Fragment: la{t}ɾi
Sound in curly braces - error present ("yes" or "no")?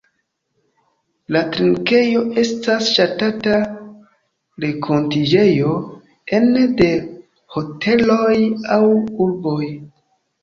no